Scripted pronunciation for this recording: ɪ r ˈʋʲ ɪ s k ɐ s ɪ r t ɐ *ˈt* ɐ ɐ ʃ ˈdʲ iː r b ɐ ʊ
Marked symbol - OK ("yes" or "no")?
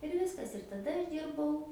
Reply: no